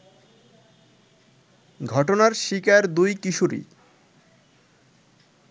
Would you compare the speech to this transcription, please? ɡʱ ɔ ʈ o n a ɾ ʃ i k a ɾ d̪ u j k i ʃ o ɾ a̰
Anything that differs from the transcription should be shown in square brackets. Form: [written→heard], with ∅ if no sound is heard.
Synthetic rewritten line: ɡʱ ɔ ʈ o n a ɾ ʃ i k a ɾ d̪ u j k i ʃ [o→u] ɾ [a̰→ḭ]

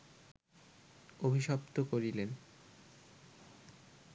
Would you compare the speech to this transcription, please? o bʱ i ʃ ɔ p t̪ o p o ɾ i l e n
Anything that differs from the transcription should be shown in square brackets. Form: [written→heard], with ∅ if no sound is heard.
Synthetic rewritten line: o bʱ i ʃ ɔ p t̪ o [p→k] o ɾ i l e n

